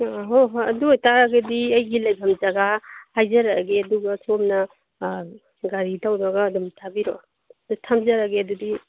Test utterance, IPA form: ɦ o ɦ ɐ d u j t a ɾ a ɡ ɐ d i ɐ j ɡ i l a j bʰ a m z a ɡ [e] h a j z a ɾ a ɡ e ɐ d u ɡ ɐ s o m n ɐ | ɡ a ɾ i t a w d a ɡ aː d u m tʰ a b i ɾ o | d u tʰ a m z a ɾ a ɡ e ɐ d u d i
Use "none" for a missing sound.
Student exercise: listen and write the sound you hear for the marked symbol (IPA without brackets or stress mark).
a